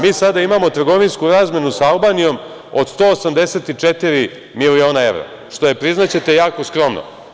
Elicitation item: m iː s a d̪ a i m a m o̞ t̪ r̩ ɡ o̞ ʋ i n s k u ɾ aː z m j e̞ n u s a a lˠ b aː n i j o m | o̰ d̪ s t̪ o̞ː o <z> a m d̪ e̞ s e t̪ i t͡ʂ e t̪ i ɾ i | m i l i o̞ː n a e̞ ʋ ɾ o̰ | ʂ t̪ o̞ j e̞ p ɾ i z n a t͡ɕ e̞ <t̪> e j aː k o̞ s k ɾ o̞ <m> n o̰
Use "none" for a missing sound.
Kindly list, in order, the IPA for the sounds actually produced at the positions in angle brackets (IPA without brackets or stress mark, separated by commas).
s, t̪, m